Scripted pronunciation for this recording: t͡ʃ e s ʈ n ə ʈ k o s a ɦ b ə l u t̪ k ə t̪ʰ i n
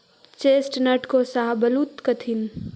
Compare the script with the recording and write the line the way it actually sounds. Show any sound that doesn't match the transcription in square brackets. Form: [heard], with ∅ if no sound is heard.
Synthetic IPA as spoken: t͡ʃ e s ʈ n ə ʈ k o s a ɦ b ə l u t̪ k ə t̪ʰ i n

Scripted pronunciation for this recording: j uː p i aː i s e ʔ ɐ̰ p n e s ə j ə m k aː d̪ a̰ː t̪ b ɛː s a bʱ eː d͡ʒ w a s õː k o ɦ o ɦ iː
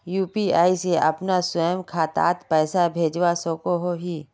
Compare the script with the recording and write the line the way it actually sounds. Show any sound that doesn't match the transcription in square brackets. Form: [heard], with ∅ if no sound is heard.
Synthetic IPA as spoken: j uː p i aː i s e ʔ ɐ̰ p n [a] s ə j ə m [kʰ] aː [t̪] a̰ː t̪ [p] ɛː s a bʱ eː d͡ʒ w a s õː k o ɦ o ɦ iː

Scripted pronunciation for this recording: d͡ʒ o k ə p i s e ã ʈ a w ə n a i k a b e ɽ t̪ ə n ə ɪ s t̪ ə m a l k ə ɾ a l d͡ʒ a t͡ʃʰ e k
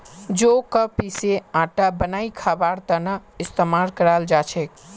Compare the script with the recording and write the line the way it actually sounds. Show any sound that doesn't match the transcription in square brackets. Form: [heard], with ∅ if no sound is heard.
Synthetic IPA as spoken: d͡ʒ o k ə p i s e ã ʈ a [b] ə n a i [kʰ] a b [a] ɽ t̪ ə n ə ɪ s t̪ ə m a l k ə ɾ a l d͡ʒ a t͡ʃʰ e k

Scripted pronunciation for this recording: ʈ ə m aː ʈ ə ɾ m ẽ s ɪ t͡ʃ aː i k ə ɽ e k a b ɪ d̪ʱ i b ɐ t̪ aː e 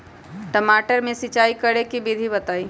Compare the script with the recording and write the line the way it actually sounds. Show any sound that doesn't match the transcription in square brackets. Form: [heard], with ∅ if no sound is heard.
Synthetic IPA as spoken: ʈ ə m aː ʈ ə ɾ m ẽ s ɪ t͡ʃ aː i k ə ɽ e k [i] b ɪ d̪ʱ i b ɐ t̪ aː [i]

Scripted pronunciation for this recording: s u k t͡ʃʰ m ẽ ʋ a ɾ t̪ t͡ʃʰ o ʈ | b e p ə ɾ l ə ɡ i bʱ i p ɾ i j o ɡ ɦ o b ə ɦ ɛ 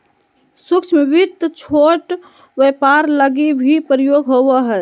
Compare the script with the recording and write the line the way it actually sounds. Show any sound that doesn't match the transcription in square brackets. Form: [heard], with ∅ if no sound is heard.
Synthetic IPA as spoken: s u k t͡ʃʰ m [e] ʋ [i] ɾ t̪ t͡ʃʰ o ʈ | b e p [a] ɾ l ə ɡ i bʱ i p ɾ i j o ɡ ɦ o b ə ɦ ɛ

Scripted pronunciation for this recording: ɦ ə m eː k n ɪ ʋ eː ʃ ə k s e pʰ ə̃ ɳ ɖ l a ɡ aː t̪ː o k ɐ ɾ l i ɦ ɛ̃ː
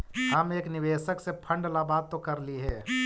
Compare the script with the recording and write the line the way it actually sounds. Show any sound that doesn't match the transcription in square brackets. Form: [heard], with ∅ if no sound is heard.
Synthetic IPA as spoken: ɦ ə m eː k n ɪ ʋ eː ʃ ə k s e pʰ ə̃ ɳ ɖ l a [b] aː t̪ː o k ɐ ɾ l i ɦ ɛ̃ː

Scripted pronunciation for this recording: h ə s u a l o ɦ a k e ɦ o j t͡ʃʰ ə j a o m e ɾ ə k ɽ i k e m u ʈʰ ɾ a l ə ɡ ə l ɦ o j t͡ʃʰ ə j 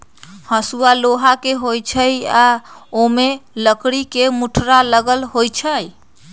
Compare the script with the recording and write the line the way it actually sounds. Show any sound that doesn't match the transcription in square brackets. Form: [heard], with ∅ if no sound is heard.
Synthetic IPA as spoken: h ə s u a l o ɦ a k e ɦ o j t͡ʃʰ ə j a o m e [l] ə k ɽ i k e m u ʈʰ ɾ a l ə ɡ ə l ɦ o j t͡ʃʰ ə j

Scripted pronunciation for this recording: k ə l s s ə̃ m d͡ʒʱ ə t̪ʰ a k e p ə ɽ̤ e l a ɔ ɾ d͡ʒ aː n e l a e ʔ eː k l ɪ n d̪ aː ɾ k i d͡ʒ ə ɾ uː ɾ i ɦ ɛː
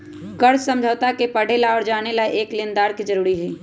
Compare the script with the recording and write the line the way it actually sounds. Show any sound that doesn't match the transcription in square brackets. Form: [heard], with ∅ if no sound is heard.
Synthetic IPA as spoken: k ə [ɾ] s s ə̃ m d͡ʒʱ ə [t̪] a k e p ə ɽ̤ e l a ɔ ɾ d͡ʒ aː n e l a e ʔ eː k l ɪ n d̪ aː ɾ k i d͡ʒ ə ɾ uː ɾ i ɦ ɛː

